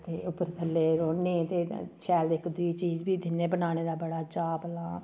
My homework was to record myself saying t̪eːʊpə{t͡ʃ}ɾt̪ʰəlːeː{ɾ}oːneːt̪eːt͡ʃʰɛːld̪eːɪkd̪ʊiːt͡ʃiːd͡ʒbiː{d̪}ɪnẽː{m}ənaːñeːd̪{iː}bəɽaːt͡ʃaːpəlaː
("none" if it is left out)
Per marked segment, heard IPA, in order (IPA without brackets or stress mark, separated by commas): none, ɾ, d̪, b, aː